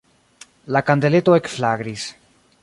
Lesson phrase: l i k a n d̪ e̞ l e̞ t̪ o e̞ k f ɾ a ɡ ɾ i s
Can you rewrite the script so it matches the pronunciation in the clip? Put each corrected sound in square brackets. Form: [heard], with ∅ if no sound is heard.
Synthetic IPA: l [a] k a n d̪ e̞ l e̞ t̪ o e̞ k f [l] a ɡ ɾ i s